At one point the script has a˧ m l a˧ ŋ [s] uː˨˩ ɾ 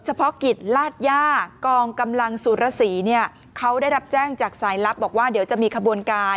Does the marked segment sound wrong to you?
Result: no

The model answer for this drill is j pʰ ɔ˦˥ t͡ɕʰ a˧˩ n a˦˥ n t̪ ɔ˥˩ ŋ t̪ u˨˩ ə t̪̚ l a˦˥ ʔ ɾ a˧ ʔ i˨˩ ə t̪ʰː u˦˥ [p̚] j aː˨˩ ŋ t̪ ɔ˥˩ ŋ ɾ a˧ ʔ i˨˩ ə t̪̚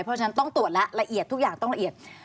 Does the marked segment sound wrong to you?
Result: yes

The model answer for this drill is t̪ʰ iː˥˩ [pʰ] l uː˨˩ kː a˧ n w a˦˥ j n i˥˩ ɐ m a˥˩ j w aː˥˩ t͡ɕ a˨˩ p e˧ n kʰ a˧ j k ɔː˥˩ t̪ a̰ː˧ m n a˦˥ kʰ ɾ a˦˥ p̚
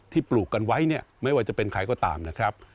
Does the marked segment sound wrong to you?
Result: yes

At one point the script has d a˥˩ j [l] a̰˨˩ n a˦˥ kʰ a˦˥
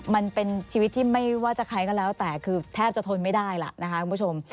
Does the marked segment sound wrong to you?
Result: no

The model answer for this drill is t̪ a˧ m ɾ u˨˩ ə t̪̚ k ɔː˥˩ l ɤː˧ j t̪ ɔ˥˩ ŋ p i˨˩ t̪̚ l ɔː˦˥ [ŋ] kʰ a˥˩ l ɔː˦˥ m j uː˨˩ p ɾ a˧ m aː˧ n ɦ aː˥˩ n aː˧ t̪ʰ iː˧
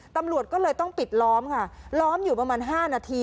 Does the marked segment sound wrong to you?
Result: yes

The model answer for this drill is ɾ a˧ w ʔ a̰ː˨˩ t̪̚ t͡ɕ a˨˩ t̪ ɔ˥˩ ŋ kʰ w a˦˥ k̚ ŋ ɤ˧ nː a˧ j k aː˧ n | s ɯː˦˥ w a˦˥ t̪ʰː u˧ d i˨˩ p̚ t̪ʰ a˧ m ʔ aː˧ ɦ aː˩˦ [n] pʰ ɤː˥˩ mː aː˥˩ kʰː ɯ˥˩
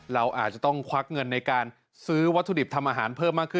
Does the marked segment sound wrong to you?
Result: no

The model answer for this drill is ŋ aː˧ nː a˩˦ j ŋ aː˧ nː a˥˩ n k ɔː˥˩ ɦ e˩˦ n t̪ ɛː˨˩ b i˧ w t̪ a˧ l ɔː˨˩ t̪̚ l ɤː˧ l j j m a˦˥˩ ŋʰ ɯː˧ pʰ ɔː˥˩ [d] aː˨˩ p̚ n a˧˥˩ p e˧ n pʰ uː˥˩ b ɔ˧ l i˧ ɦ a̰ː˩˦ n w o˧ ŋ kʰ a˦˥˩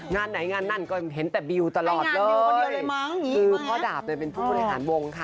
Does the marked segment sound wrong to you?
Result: no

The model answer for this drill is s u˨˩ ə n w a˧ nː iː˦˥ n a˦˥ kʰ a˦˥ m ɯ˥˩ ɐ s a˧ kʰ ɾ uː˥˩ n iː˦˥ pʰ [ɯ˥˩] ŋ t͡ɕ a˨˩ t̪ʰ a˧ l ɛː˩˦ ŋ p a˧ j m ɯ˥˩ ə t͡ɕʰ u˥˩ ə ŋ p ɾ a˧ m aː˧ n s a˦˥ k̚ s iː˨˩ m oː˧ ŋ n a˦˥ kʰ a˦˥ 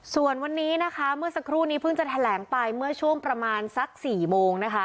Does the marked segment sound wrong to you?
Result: no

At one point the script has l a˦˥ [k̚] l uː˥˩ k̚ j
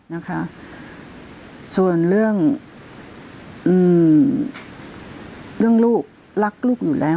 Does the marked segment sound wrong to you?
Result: no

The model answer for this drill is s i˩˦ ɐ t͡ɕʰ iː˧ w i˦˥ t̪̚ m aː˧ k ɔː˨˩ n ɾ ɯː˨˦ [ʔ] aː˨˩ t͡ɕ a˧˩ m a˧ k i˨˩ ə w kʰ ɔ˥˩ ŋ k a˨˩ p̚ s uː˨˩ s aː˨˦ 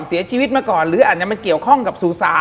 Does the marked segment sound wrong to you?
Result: no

